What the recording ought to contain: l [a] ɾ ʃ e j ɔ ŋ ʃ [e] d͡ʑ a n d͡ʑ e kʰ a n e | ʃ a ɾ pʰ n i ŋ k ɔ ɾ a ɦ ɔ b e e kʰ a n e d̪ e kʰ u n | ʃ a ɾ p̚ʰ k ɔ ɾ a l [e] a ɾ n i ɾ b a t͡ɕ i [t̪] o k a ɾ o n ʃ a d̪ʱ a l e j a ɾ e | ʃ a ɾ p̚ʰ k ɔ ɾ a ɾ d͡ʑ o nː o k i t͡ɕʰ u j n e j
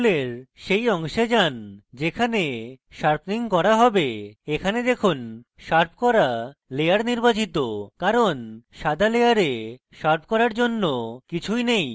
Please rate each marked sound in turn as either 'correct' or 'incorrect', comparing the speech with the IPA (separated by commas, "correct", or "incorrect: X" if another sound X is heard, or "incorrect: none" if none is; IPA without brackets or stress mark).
incorrect: e, correct, correct, correct